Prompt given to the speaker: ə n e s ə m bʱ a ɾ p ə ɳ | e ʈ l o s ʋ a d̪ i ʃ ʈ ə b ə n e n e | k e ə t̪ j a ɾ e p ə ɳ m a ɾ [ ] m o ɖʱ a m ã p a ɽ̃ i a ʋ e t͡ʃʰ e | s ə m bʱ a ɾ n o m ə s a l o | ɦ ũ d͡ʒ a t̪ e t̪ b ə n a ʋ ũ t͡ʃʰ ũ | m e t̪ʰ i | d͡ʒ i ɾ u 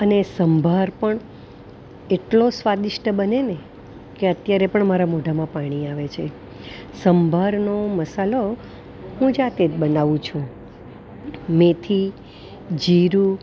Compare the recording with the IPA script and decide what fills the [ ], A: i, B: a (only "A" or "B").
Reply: B